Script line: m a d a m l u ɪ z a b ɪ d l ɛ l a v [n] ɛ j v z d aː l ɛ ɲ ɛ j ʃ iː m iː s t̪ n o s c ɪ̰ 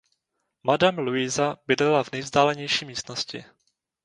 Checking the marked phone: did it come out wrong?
no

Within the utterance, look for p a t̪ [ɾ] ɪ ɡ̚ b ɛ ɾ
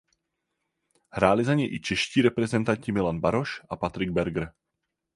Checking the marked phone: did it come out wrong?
no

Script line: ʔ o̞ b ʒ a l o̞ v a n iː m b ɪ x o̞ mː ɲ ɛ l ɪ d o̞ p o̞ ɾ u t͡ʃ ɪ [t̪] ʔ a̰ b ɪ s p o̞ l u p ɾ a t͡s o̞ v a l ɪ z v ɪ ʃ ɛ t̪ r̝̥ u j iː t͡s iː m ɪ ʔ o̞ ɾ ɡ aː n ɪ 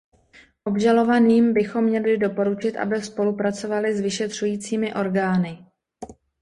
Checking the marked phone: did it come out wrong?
no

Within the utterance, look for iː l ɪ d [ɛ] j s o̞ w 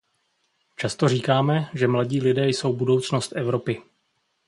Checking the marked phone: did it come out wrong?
yes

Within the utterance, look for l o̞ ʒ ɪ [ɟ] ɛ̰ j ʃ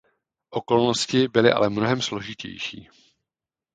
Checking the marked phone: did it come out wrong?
yes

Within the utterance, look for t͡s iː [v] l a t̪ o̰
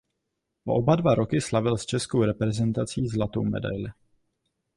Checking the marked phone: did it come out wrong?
yes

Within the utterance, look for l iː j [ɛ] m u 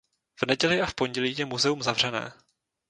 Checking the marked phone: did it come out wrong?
no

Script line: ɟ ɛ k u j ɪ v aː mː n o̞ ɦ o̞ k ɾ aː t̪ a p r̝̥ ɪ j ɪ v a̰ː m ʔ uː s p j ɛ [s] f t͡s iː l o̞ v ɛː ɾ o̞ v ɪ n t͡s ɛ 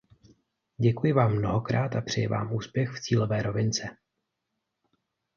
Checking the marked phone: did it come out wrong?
yes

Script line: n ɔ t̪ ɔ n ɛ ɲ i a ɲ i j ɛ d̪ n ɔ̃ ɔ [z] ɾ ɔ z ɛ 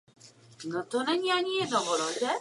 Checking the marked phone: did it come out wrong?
yes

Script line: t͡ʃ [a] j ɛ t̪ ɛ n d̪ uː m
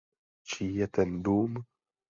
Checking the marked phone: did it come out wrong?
yes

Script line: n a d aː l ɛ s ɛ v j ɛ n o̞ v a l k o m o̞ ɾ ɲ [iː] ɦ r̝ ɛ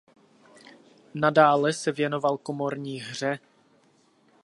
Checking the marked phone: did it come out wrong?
no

